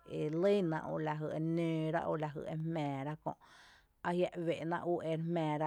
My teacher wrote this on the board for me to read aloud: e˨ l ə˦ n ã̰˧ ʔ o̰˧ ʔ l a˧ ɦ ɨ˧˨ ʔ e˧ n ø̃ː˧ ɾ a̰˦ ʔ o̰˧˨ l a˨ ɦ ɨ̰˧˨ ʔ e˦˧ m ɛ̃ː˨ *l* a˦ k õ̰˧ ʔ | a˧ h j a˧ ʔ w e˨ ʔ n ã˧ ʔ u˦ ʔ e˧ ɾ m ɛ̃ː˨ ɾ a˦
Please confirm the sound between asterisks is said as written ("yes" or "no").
no